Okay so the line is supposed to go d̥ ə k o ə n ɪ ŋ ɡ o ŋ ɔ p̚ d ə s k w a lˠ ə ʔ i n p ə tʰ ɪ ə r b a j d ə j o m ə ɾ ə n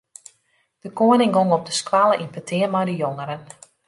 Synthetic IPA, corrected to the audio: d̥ ə k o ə n ɪ ŋ ɡ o ŋ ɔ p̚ d ə s k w a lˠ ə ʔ i n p ə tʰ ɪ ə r m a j d ə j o ŋ ə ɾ ə n